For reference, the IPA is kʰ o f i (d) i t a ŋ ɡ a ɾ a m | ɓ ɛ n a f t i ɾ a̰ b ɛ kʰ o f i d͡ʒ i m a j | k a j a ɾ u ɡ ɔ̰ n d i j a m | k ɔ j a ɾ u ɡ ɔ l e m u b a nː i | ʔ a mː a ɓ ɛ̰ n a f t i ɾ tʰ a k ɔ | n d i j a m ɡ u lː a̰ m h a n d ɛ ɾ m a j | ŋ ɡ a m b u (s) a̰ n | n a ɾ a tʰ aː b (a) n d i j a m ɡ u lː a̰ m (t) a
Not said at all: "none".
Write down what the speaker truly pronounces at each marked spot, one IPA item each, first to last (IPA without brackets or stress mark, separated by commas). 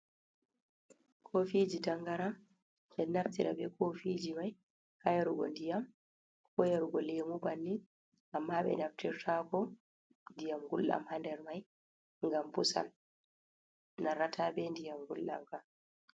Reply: d͡ʒ, s, ɛ, k